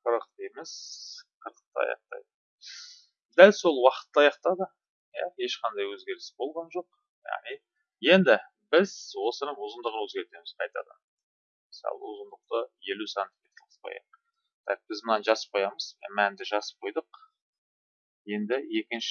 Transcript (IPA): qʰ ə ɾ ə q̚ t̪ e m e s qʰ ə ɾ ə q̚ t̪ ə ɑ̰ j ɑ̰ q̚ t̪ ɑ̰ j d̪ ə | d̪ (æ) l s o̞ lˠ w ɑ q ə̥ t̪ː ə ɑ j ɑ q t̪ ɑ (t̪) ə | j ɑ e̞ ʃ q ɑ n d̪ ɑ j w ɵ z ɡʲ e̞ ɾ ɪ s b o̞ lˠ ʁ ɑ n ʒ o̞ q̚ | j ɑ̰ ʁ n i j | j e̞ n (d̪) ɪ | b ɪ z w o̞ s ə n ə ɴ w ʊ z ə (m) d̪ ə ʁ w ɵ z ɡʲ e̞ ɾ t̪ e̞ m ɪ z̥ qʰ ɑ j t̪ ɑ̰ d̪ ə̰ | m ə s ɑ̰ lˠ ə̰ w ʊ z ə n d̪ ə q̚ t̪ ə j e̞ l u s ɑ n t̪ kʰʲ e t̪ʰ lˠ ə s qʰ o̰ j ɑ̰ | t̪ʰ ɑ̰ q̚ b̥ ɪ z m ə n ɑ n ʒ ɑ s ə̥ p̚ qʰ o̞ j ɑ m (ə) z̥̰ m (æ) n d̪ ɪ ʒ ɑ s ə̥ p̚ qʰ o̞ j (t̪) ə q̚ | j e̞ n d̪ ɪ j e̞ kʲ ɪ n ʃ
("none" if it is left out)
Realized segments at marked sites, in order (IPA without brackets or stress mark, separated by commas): æ, d̪, d̪, n, ə, æ, d̪